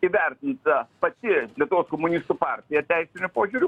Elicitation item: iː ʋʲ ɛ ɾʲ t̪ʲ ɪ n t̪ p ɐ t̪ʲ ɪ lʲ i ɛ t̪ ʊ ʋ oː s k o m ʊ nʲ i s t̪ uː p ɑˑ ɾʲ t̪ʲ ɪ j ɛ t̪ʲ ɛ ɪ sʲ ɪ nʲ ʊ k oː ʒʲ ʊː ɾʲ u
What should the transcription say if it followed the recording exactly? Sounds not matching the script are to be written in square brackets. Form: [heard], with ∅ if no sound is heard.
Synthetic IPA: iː ʋʲ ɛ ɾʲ t̪ʲ ɪ n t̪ p ɐ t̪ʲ ɪ lʲ i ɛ t̪ ʊ ʋ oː s k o m ʊ nʲ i s t̪ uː p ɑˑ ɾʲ t̪ʲ ɪ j ɛ t̪ʲ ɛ ɪ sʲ ɪ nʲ ʊ [p] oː ʒʲ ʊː ɾʲ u